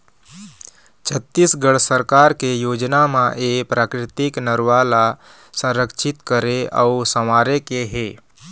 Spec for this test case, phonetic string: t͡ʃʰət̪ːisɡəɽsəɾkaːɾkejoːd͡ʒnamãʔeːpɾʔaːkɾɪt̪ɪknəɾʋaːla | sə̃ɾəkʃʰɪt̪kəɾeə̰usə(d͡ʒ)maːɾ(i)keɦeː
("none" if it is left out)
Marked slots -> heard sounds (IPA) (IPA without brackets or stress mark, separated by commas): none, e